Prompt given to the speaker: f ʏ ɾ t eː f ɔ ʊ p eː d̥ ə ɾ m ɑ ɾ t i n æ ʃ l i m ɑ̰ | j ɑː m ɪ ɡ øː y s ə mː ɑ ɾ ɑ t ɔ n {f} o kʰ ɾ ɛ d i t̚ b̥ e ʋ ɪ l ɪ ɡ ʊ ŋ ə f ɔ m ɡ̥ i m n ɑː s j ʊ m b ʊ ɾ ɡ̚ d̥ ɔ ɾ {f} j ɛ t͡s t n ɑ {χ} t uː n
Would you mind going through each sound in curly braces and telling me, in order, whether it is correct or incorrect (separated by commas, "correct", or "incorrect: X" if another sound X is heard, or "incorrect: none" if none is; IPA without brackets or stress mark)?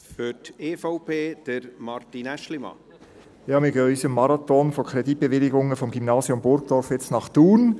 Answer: correct, correct, correct